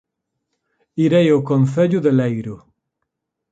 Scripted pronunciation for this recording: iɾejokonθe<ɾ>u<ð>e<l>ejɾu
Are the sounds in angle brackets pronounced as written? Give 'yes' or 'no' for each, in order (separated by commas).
no, yes, yes